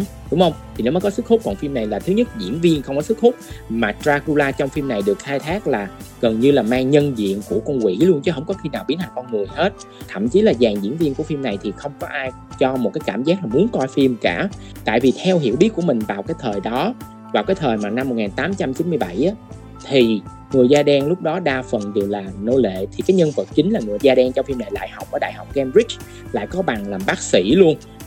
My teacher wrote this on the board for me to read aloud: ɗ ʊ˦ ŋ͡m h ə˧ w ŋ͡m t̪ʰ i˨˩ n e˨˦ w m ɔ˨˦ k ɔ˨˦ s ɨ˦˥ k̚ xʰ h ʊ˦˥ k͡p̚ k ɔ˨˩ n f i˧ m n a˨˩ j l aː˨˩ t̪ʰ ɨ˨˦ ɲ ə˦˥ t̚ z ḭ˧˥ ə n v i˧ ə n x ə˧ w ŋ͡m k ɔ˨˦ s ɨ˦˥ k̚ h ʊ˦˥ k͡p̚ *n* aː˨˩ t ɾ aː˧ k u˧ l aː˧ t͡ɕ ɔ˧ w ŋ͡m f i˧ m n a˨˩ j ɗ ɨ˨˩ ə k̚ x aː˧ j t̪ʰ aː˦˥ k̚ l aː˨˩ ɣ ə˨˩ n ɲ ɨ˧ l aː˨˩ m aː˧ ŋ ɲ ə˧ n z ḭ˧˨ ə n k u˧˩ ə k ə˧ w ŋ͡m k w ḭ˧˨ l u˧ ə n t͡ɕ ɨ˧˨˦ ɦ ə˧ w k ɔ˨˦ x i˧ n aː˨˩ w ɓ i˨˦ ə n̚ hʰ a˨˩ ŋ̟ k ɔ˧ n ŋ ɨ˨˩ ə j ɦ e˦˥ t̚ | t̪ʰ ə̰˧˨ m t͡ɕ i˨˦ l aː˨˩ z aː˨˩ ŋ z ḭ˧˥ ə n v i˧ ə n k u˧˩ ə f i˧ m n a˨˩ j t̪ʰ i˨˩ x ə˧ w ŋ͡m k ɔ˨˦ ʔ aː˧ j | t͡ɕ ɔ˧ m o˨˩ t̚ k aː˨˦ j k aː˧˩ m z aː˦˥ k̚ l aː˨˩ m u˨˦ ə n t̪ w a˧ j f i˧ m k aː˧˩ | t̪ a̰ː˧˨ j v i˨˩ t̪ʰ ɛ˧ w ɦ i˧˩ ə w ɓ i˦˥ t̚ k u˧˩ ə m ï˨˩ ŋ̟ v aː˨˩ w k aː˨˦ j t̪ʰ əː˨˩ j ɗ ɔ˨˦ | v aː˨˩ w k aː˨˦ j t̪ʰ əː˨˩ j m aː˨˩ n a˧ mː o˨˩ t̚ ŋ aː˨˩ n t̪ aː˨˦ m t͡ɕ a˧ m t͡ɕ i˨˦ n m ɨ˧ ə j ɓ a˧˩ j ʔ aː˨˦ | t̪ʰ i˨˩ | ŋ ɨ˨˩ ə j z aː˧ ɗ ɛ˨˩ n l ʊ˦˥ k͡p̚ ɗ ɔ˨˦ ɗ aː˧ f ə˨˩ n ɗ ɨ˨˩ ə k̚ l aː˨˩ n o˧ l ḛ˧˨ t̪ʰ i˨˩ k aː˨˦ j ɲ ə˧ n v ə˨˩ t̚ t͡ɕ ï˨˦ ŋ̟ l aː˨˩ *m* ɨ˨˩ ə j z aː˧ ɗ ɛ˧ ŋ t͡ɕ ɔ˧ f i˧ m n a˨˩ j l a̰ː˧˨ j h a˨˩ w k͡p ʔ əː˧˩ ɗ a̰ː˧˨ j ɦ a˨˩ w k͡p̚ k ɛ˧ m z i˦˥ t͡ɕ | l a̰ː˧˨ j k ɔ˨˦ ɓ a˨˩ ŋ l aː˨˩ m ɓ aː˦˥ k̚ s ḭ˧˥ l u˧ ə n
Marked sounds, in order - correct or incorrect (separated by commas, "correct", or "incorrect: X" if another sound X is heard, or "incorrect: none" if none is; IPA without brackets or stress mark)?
incorrect: m, incorrect: ŋ